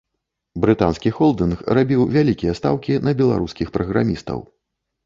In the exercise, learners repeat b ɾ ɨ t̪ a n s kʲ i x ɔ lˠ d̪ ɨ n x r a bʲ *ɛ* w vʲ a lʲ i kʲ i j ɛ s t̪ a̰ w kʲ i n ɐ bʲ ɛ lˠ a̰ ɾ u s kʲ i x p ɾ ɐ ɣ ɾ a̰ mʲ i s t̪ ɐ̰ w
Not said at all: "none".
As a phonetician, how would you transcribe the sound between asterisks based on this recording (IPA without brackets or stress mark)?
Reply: i